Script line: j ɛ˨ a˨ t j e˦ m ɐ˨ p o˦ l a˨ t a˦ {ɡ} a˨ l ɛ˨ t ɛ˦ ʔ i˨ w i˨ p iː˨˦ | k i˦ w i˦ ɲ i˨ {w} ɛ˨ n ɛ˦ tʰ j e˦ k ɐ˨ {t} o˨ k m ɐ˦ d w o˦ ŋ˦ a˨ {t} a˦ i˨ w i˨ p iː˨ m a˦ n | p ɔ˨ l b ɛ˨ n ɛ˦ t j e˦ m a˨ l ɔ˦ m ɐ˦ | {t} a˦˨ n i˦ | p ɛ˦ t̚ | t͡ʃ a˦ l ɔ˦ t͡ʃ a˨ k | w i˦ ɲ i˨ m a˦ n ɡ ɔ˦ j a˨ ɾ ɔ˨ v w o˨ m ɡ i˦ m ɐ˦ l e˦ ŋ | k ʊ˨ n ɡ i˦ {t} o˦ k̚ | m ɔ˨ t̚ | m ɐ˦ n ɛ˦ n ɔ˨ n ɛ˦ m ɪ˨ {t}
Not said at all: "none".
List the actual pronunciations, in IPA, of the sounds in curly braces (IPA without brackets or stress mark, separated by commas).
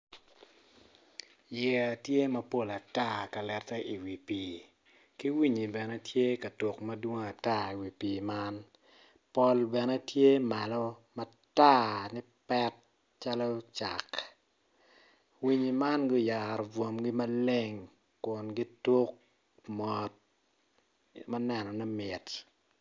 k, b, t, t, t, t, t